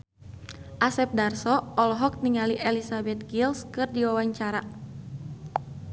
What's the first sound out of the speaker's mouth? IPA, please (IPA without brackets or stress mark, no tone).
ʔ